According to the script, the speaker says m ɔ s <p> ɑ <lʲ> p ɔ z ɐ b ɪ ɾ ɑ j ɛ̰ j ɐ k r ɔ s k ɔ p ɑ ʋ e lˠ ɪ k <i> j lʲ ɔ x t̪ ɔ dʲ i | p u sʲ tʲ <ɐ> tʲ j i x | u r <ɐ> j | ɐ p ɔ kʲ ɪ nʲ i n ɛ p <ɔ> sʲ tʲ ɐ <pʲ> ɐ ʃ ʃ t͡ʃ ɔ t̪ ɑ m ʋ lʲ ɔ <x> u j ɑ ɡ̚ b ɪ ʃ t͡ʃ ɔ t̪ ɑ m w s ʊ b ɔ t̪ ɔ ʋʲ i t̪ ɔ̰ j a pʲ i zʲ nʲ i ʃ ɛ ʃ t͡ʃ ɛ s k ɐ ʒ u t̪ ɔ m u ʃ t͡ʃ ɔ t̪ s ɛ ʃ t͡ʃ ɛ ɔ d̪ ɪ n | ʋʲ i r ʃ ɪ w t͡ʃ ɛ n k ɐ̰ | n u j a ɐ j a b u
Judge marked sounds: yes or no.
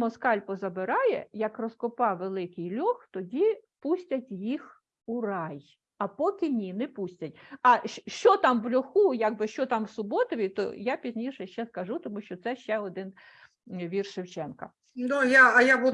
no, yes, no, yes, no, no, no, yes

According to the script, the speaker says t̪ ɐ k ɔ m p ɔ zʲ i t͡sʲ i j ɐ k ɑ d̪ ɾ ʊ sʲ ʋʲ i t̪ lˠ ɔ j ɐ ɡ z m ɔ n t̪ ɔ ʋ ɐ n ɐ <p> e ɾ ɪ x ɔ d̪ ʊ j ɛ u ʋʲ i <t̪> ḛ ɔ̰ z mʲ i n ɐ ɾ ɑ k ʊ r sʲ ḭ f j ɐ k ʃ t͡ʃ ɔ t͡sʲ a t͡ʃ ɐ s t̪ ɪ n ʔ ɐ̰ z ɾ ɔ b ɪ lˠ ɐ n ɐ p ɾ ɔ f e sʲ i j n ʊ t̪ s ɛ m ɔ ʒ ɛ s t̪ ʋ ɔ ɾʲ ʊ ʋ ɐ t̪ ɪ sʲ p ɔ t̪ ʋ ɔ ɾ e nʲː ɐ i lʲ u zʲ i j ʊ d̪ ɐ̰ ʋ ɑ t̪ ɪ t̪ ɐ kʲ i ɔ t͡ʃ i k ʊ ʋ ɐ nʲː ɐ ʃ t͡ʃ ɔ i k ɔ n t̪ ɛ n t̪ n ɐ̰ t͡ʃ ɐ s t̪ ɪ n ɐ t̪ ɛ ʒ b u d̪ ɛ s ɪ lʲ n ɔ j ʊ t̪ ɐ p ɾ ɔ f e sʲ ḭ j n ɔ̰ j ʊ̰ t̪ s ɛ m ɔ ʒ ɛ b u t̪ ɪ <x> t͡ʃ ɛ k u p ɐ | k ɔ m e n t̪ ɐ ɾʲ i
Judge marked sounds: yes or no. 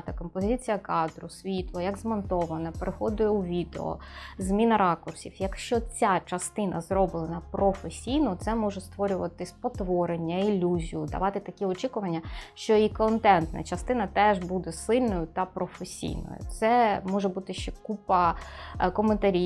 yes, no, no

